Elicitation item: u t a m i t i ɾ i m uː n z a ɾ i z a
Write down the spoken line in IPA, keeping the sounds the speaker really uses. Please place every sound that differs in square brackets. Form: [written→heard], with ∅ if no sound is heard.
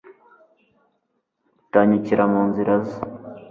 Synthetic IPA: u t a [m→ɲ] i [t→c] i ɾ [i→a] m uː n z [a→i] ɾ [i→a] z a